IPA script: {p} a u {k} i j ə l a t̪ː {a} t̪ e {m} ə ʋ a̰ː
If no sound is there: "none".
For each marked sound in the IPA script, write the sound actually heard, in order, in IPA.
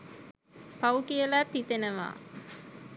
p, k, i, n

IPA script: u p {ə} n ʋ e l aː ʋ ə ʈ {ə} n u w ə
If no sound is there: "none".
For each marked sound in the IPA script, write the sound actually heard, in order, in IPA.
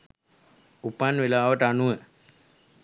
a, a

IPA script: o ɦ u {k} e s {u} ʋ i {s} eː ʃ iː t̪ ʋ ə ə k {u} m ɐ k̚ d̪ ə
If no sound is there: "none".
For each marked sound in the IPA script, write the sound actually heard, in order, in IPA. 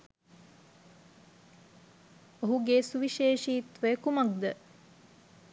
ɡ, u, ʃ, u

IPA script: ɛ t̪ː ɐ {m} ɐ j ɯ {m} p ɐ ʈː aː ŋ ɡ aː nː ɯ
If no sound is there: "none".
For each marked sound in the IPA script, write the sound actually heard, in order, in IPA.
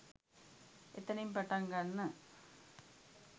n, m

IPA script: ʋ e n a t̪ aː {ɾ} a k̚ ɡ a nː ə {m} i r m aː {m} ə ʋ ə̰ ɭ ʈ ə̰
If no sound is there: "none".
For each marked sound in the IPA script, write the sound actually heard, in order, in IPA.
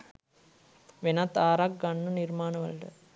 ɾ, n, n

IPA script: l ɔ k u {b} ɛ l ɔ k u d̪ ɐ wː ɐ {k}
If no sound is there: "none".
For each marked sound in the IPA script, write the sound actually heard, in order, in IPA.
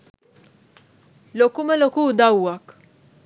m, k

